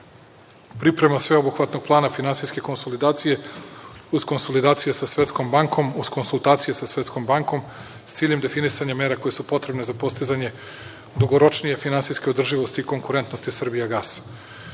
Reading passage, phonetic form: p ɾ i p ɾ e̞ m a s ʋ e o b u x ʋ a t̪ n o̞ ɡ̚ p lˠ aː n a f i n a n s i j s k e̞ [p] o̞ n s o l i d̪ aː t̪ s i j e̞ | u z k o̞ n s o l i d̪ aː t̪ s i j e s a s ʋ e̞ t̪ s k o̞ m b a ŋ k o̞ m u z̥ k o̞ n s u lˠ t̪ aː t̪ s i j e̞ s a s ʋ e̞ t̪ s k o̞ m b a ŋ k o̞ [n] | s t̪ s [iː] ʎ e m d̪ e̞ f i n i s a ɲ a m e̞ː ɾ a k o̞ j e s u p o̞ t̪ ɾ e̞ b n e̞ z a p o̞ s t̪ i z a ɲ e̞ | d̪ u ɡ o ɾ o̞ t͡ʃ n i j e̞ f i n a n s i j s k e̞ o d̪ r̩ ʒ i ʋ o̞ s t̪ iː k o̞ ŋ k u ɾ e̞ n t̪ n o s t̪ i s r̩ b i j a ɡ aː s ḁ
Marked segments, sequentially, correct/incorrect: incorrect: k, incorrect: m, correct

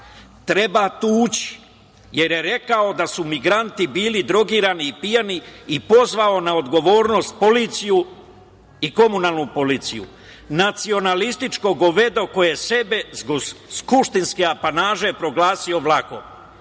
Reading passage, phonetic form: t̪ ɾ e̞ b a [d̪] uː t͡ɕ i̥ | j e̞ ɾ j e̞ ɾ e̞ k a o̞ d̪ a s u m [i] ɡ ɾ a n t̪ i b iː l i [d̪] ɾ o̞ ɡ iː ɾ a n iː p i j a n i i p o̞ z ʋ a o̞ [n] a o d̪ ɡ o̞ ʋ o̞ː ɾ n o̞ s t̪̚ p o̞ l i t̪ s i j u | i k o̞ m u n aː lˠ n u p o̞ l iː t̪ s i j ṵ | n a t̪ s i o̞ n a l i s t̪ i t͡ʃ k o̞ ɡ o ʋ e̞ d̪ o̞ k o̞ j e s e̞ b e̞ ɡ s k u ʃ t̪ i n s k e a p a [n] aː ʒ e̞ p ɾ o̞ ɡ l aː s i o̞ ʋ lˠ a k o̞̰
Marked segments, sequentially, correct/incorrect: incorrect: t̪, correct, correct, correct, correct

